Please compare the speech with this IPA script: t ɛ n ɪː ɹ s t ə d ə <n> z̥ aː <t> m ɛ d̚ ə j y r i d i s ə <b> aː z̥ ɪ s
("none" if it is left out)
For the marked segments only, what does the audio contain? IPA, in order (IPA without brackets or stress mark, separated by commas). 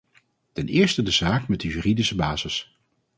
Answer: none, k, b